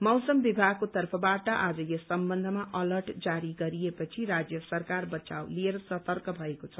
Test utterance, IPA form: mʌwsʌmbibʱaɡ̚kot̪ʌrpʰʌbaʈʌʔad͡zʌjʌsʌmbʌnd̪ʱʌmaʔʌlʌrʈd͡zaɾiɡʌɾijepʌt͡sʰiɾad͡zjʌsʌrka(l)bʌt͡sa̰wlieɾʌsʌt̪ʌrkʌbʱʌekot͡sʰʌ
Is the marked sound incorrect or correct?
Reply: incorrect